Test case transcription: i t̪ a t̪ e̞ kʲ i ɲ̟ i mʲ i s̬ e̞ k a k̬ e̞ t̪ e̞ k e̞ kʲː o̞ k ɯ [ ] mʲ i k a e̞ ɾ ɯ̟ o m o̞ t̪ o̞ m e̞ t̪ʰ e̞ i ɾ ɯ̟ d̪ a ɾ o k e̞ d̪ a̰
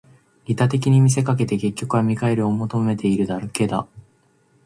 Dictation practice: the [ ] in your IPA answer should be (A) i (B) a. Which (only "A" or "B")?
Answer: B